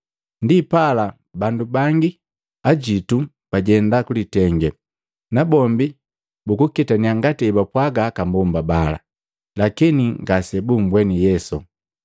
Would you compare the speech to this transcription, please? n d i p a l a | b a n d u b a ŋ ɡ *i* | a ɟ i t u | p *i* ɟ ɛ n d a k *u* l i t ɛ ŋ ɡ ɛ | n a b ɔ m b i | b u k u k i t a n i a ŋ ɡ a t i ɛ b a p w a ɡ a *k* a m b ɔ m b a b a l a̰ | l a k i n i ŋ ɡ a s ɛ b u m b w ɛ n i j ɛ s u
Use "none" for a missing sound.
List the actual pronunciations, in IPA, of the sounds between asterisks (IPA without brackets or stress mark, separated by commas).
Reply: i, a, u, k